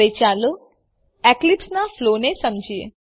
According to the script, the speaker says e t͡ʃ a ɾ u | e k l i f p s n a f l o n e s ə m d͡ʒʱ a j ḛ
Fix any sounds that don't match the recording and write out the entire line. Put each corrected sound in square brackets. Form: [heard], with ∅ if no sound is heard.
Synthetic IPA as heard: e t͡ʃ a [l] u | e k l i [∅] p s n a f l o n e s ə m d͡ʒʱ [i] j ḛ